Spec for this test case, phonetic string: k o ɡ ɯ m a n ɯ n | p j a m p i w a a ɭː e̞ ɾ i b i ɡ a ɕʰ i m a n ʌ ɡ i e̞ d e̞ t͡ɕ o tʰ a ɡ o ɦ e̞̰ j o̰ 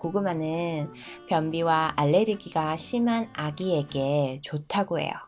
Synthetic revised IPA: k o ɡ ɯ m a n ɯ n | p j ʌ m b i w a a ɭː e̞ ɾ i ɡ i ɡ a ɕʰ i m a n a ɡ i e̞ ɡ e̞ t͡ɕ o tʰ a ɡ o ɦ e̞̰ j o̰